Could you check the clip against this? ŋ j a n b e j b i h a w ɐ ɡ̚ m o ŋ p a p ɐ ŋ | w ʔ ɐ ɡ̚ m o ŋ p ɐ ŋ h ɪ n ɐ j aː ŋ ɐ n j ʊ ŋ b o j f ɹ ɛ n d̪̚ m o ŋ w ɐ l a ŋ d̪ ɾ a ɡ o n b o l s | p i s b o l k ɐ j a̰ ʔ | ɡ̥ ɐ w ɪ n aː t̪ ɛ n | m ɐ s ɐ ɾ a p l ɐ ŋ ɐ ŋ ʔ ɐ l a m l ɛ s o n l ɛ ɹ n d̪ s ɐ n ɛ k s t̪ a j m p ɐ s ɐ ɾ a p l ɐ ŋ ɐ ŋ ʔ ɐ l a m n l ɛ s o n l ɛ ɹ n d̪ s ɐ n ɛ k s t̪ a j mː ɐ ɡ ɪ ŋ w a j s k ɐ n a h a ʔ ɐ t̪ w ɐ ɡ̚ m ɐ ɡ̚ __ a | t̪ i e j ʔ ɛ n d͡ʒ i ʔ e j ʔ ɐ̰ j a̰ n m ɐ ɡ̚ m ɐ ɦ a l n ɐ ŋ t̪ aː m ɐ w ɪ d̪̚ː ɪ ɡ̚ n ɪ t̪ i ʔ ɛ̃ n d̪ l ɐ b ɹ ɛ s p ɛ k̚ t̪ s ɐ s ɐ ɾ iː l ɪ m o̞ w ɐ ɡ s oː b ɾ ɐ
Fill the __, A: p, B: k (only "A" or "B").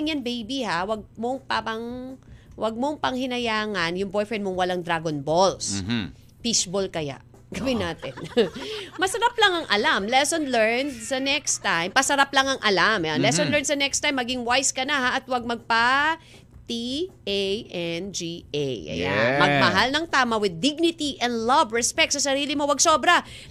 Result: A